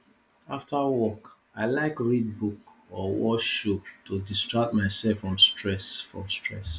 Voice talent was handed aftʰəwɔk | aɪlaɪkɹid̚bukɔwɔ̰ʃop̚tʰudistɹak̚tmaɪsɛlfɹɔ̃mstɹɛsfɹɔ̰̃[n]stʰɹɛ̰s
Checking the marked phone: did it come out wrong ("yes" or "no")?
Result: yes